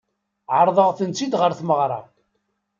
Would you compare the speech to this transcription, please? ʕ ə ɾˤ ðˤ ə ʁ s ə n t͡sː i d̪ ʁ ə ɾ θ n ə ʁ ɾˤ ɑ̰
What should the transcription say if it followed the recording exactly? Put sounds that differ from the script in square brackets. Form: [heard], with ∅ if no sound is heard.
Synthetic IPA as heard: ʕ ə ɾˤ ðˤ ə ʁ [θ] ə n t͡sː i d̪ ʁ ə ɾ θ [m] ə ʁ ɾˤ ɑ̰